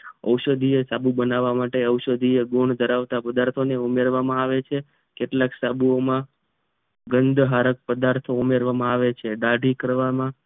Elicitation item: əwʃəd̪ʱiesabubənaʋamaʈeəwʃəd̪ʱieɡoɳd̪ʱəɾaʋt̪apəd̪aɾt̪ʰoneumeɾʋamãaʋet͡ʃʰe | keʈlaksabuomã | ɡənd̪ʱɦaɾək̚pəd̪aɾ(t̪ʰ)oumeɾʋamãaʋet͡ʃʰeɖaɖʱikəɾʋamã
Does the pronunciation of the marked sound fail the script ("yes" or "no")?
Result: no